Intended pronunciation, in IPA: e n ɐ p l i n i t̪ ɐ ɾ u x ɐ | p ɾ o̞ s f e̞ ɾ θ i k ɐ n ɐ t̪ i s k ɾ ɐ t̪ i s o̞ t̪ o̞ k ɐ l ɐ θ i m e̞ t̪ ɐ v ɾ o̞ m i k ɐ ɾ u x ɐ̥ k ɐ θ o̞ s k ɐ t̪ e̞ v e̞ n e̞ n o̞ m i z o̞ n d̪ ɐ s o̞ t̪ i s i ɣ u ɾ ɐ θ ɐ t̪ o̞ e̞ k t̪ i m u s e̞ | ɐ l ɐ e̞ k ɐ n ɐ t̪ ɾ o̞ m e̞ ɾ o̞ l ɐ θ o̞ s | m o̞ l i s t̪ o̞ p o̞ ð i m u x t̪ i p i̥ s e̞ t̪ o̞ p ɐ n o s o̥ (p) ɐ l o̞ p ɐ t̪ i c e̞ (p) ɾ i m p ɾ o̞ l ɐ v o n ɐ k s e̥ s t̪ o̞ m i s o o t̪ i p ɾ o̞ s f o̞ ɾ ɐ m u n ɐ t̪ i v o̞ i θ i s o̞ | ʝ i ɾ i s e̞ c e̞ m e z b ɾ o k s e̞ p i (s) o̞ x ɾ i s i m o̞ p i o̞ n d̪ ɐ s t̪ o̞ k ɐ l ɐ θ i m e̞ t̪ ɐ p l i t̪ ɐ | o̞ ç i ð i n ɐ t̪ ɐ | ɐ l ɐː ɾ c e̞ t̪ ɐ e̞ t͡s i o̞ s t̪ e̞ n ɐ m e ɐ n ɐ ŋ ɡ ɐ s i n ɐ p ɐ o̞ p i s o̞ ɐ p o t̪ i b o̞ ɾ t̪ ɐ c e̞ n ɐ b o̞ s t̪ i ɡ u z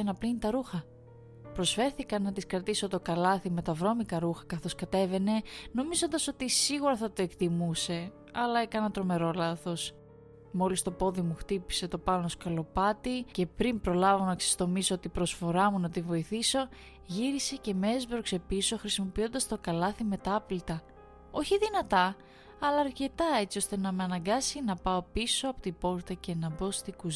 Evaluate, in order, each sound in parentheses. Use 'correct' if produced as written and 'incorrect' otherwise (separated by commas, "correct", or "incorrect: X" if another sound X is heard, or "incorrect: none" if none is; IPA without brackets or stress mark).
incorrect: k, correct, correct